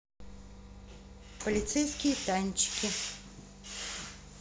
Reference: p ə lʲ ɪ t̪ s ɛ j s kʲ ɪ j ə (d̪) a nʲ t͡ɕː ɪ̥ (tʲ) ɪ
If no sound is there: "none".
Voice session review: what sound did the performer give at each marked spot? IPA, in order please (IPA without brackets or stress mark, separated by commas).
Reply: t̪, kʲ